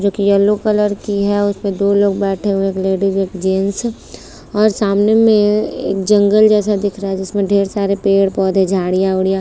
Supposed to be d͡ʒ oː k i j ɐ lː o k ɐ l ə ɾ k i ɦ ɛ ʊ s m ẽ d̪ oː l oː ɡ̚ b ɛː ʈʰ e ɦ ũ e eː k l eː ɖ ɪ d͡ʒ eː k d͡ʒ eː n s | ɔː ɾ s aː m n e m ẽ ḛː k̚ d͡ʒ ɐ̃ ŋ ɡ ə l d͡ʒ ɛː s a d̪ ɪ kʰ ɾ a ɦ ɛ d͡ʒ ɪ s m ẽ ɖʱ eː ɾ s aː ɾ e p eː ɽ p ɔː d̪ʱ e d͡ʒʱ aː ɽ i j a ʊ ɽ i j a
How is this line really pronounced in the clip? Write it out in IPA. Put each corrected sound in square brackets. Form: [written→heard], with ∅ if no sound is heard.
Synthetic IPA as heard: d͡ʒ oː k i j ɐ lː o k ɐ l ə ɾ k i ɦ ɛ ʊ s m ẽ d̪ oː l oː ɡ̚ b ɛː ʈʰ e ɦ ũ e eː k l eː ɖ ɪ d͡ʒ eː k d͡ʒ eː n s | ɔː ɾ s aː m n e m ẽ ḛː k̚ d͡ʒ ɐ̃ ŋ ɡ ə l d͡ʒ ɛː s a d̪ ɪ kʰ ɾ a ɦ ɛ d͡ʒ ɪ s m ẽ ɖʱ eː ɾ s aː ɾ e p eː ɽ p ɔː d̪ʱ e d͡ʒʱ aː ɽ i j a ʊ ɽ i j a